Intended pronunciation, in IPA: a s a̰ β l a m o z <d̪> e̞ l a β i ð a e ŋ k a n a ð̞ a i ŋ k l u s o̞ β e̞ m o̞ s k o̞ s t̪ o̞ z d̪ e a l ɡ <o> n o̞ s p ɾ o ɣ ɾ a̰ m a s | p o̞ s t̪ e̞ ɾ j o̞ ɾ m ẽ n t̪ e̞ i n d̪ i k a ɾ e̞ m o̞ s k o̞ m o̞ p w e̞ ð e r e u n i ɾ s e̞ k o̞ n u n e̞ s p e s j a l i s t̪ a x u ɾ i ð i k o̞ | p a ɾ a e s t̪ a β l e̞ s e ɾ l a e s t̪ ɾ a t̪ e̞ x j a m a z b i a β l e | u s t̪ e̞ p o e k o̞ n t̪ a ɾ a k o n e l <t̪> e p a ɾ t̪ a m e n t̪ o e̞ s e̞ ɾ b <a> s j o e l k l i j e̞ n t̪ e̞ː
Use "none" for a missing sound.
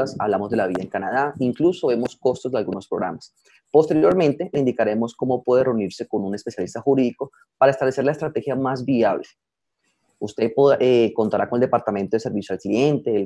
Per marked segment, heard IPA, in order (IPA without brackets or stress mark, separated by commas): d̪, u, d̪, i